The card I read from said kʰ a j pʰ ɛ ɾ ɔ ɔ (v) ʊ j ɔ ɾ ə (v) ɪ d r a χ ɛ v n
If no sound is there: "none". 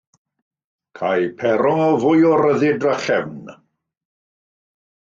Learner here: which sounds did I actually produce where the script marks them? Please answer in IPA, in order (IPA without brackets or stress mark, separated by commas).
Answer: v, ð